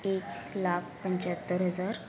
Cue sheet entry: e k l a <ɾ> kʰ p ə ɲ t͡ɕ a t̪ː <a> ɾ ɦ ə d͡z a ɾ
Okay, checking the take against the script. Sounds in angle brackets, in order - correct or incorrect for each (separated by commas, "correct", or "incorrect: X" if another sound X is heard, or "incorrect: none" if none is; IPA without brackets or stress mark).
incorrect: none, incorrect: ə